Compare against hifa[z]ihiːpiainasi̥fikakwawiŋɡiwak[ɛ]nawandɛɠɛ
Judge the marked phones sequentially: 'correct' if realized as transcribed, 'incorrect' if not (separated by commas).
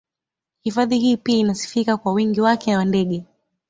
incorrect, correct